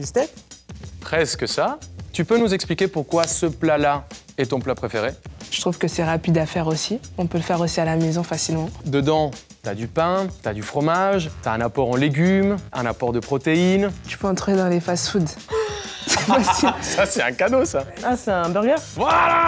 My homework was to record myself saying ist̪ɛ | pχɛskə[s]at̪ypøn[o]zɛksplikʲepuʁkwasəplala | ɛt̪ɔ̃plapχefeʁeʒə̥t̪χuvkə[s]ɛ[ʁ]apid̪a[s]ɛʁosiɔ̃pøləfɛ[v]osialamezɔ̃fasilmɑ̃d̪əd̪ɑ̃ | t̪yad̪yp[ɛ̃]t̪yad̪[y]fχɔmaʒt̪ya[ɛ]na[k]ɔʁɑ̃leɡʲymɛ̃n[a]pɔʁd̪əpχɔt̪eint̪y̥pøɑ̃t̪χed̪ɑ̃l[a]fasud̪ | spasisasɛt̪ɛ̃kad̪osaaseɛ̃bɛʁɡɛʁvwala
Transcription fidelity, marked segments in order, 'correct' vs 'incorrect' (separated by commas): correct, incorrect, correct, correct, incorrect, incorrect, correct, correct, incorrect, incorrect, correct, incorrect